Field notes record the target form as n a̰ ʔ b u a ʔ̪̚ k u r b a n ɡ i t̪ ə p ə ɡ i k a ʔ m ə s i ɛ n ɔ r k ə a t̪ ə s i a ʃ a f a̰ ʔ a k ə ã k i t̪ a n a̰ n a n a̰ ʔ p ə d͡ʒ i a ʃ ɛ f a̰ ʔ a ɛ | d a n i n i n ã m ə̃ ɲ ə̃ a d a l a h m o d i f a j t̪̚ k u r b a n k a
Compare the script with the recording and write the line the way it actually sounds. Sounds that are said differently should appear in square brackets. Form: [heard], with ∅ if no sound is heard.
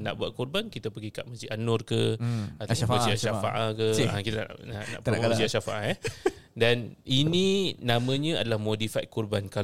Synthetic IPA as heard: n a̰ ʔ b u a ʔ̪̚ k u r b a n [k] i t̪ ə p ə ɡ i k a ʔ m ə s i [a] n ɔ r k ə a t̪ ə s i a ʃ a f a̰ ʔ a k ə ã k i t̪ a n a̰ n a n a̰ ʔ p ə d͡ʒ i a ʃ [a] f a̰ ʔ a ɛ | d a n i n i n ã m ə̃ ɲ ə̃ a d a l a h m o d i f a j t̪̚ k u r b a n k a